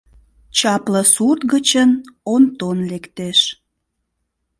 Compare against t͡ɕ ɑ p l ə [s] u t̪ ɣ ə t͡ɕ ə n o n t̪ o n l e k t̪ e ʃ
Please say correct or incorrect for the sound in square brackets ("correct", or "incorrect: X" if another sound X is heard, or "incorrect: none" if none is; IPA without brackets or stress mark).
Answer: correct